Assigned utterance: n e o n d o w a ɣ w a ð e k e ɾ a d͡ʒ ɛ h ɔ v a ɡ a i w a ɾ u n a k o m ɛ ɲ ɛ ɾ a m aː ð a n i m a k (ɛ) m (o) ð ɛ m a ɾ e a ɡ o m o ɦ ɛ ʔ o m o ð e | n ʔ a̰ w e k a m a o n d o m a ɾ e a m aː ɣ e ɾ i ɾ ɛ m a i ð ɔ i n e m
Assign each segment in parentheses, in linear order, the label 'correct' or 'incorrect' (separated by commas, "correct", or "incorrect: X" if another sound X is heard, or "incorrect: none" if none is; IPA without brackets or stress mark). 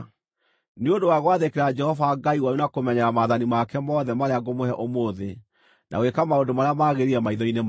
correct, incorrect: ɔ